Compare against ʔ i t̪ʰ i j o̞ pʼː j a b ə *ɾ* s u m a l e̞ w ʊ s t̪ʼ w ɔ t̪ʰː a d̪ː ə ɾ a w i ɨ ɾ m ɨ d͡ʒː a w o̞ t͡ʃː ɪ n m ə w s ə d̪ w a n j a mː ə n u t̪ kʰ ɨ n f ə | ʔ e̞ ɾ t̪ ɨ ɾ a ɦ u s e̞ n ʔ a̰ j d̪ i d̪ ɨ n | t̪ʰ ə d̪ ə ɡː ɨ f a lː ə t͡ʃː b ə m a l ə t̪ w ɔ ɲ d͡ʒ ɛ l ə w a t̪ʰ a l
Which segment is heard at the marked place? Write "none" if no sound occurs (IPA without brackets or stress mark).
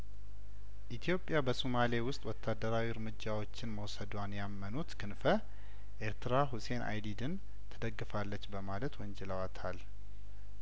none